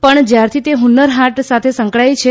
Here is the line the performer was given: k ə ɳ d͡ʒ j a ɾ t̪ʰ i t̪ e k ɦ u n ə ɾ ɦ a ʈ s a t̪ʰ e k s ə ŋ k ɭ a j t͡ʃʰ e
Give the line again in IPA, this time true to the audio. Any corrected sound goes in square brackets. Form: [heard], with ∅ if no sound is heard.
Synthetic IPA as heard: [p] ə ɳ d͡ʒ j a ɾ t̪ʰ i t̪ e [∅] ɦ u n ə ɾ ɦ a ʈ s a t̪ʰ e [∅] s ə ŋ k ɭ a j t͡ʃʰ e